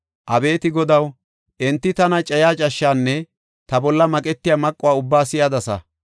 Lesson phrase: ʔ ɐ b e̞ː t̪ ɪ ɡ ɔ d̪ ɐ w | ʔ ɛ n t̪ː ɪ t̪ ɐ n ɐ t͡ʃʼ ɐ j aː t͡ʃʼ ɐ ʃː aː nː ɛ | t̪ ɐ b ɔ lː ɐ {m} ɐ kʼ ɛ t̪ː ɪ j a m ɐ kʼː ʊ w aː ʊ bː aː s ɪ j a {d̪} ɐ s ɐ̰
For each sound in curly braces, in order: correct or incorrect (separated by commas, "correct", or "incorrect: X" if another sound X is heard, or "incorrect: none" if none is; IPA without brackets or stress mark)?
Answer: correct, correct